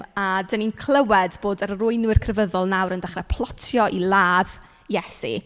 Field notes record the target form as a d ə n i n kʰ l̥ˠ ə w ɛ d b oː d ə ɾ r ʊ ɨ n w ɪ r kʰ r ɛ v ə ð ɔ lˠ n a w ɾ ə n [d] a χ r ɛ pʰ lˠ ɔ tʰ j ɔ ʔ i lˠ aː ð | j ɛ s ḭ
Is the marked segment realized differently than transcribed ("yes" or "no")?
no